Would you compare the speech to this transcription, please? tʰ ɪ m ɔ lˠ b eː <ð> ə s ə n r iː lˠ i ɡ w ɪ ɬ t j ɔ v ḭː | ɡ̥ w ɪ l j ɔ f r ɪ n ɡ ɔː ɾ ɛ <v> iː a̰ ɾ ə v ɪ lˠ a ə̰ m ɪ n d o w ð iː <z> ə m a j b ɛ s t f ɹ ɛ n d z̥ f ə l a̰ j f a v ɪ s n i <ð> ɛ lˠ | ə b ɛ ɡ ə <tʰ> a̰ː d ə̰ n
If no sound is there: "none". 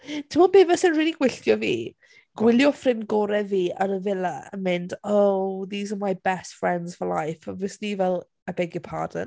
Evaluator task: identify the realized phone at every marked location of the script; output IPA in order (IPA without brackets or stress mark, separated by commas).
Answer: v, v, z, v, pʰ